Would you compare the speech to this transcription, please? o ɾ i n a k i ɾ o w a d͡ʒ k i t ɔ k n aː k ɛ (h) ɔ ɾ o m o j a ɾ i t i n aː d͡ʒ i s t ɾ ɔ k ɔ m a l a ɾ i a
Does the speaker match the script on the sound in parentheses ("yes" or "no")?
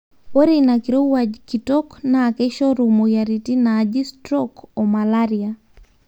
no